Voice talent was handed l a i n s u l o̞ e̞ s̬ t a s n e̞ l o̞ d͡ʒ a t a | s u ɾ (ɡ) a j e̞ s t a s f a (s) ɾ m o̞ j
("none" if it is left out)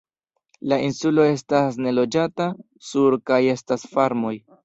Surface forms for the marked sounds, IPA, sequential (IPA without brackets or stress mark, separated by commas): k, none